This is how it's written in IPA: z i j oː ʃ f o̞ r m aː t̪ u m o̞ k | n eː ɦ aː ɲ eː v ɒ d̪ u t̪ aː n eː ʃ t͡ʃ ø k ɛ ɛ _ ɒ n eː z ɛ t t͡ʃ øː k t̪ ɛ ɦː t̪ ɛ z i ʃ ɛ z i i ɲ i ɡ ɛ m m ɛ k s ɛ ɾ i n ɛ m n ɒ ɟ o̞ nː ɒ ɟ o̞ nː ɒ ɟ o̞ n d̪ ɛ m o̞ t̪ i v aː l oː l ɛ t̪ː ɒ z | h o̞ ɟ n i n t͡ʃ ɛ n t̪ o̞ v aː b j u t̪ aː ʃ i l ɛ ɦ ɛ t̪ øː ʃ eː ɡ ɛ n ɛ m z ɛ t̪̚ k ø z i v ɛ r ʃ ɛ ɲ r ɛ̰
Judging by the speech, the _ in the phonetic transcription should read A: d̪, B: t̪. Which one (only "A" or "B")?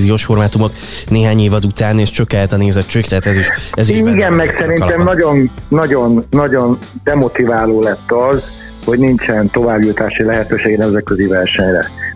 B